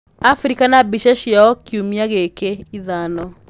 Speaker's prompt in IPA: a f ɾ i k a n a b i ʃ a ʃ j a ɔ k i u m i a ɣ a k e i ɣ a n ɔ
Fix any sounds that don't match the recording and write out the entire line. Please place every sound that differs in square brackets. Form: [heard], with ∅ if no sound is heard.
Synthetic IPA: a f ɾ i k a n a b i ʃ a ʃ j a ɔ k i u m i a ɣ [e] k e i [ð] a n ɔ